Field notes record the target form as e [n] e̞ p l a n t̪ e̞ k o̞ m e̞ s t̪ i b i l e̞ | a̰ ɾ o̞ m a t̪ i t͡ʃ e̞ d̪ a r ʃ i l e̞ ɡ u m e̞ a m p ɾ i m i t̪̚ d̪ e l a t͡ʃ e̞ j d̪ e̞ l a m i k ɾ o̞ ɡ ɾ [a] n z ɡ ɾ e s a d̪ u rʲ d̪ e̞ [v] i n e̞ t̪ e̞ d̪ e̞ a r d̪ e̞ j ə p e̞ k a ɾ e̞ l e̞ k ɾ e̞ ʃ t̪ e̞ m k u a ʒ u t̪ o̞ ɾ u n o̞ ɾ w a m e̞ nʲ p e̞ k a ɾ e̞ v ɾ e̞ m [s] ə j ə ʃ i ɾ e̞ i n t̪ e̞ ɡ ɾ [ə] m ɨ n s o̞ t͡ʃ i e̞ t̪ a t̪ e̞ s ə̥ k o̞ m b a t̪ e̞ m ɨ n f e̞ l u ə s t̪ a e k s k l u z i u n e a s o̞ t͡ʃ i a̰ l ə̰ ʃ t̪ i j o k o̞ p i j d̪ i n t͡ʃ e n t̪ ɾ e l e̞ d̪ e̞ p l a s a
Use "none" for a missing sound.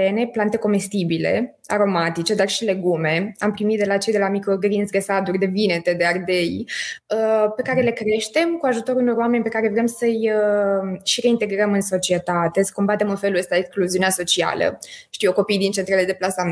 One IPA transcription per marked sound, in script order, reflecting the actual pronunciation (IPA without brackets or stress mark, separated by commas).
n, i, v, s, ə